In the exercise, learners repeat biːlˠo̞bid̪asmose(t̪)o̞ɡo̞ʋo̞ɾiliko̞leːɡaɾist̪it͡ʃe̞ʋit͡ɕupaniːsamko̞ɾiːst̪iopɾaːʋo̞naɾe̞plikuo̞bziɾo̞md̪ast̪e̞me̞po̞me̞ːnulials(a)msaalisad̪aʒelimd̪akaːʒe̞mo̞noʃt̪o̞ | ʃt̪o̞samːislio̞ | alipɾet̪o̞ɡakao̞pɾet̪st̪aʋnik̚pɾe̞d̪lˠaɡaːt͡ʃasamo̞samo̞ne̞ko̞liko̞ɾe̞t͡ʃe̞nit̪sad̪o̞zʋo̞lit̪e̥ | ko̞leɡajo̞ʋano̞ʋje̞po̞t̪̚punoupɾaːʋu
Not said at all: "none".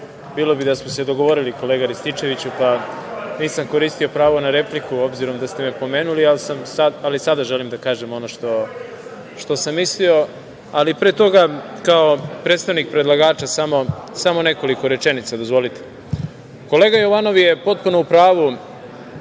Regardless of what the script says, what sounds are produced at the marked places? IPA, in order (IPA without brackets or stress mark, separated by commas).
d̪, a